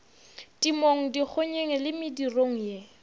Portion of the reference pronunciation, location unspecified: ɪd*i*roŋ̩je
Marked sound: correct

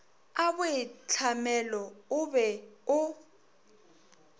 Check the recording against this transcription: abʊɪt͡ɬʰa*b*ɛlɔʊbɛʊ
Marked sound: incorrect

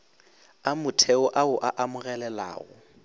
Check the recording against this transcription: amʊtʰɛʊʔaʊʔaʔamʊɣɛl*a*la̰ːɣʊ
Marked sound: incorrect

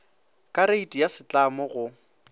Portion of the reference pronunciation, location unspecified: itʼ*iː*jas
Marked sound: incorrect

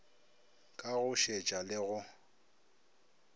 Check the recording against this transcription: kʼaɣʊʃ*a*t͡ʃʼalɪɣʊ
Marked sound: incorrect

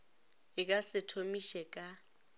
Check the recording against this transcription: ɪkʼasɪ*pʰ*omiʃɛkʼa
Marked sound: incorrect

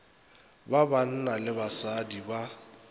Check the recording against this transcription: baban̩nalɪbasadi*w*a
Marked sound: incorrect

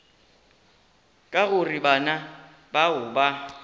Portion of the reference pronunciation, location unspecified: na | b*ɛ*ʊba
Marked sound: incorrect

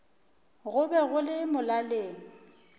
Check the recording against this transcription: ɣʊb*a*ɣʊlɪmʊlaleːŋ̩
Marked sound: incorrect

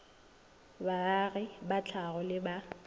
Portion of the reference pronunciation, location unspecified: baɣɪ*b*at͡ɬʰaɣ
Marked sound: correct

